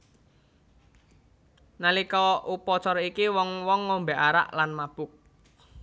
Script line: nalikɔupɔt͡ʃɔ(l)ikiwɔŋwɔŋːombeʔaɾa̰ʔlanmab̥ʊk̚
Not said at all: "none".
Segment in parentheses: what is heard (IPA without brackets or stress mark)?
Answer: ɾ